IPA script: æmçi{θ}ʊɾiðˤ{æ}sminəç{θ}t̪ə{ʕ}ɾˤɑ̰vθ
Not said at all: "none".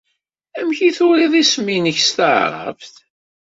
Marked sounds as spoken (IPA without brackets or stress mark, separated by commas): θ, i, s, ʕ